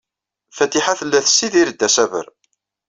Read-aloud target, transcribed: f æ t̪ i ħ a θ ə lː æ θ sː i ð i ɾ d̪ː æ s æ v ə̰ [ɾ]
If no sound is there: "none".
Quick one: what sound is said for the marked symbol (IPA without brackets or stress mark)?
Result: ɾ